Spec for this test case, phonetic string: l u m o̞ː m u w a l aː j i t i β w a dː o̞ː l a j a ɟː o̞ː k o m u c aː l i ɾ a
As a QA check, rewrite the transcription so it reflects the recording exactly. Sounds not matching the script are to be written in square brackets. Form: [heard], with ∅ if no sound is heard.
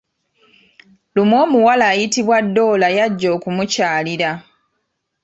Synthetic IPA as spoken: l u m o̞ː m u w a l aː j i t i β w a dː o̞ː l a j a ɟː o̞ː k [u] m u c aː l i ɾ a